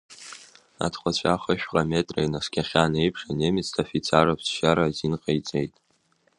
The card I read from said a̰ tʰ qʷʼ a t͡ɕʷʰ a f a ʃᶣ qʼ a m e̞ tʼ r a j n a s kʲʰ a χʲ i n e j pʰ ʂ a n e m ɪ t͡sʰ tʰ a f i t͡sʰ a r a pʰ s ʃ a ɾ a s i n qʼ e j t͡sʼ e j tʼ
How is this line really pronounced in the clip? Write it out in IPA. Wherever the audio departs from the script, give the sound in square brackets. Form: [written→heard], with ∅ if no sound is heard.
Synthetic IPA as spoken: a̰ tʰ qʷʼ a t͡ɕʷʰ a [f→χ] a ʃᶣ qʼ a m e̞ tʼ r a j n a s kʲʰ a χʲ [i→a] n e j pʰ ʂ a n e m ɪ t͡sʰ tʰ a f i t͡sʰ a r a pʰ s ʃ a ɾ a [s→z] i n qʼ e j t͡sʼ e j tʼ